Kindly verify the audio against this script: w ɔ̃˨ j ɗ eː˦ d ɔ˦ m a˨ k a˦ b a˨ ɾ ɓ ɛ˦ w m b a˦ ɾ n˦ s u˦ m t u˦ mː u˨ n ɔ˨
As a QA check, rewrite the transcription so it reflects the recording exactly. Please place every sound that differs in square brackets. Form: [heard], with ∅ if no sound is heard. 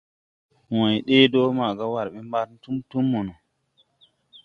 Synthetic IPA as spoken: w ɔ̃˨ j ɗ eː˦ d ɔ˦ m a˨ [ɡ] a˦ [w] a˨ ɾ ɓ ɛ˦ [∅] m b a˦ ɾ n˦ [t] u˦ m t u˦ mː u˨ n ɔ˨